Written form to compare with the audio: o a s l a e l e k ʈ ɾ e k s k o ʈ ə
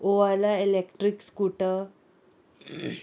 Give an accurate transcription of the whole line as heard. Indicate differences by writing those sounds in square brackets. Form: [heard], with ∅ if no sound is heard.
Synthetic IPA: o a [∅] l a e l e k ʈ ɾ [i] k s k [u] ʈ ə